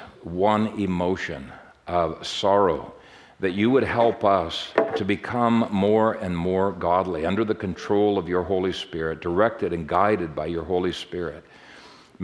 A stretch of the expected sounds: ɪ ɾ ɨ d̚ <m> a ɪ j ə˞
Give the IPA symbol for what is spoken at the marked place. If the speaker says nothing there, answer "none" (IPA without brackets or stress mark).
b